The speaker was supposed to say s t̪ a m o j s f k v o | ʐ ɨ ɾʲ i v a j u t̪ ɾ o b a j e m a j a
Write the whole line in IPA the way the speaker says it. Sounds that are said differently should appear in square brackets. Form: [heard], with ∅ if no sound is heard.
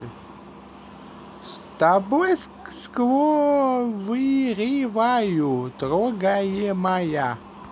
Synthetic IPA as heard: s t̪ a [b] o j s [s] k v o | [v] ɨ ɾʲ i v a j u t̪ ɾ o [ɡ] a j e m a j a